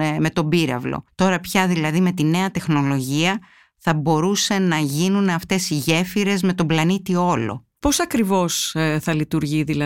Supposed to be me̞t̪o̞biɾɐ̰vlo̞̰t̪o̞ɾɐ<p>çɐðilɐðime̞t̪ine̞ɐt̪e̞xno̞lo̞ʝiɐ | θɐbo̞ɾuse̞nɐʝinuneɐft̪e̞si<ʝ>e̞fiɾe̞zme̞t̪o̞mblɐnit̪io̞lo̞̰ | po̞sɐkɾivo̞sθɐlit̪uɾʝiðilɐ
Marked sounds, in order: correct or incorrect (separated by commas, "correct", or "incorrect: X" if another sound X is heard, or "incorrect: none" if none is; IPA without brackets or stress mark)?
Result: correct, correct